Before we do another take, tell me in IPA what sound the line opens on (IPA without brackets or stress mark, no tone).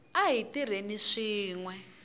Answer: a